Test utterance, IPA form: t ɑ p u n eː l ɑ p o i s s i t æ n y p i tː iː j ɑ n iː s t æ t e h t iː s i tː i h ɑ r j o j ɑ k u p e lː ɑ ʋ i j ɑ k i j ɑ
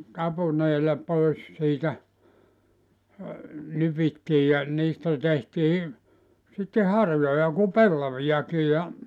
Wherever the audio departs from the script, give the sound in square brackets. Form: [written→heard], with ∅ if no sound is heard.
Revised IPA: t ɑ p u n eː l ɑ p o i s s [i→iː] t æ n y p i tː iː j ɑ n iː s t æ t e h t iː s i tː [i→e] h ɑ r j o j ɑ k u p e lː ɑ ʋ i j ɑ k i j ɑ